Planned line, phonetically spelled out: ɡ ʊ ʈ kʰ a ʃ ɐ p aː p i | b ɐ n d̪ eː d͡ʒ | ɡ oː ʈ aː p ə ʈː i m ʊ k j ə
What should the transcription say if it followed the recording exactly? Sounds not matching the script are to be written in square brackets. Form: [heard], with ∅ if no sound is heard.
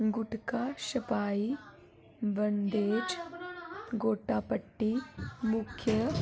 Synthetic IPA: ɡ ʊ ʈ [k] a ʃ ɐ p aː [∅] i | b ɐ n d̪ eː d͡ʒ | ɡ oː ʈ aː p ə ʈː i m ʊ [kʰ] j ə